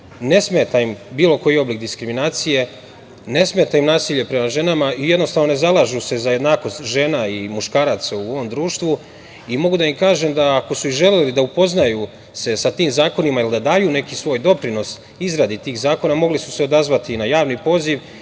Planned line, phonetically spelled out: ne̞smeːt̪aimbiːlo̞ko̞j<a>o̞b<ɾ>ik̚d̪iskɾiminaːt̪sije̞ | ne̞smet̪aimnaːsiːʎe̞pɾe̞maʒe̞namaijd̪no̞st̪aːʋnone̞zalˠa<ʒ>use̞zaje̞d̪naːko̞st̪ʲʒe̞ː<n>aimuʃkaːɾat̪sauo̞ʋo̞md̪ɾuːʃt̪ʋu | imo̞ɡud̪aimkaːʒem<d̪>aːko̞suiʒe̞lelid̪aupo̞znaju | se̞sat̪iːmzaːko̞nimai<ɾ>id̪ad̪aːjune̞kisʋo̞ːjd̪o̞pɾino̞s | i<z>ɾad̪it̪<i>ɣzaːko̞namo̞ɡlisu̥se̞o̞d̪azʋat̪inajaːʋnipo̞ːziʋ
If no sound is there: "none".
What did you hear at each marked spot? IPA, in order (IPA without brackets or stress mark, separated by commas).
i, l, ʒ, n, d̪, l, z, iː